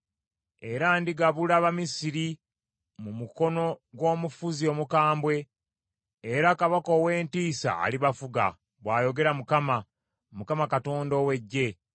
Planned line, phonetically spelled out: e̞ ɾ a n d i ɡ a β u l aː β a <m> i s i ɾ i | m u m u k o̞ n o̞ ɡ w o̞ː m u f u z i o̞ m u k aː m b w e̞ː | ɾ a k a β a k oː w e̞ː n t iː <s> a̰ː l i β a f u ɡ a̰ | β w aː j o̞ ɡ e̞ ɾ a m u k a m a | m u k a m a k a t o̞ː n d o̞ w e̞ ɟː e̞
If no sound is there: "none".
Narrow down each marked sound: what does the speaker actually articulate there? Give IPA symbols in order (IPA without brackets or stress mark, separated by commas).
m, s